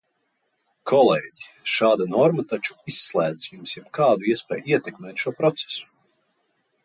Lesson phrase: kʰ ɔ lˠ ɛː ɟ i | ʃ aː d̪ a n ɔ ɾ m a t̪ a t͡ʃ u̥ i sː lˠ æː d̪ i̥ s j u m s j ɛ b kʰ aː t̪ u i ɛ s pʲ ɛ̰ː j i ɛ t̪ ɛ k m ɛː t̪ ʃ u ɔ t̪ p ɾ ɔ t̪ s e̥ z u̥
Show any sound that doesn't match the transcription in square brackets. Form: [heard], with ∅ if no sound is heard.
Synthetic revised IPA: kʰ ɔ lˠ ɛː ɟ i | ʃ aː d̪ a n ɔ ɾ m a t̪ a t͡ʃ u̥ i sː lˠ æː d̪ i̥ s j u m s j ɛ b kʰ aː [d̪] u i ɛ s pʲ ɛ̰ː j i ɛ t̪ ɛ k m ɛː t̪ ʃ u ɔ [∅] p ɾ ɔ t̪ s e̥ [s] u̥